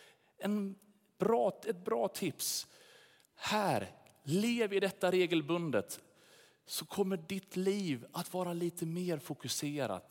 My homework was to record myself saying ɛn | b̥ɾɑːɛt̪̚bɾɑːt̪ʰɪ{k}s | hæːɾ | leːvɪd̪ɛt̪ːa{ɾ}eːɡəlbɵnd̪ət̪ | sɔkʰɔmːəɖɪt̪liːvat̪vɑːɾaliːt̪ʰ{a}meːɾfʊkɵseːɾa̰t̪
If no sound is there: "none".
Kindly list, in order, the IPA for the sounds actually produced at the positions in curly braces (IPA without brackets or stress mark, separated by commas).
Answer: p, ɾ, ə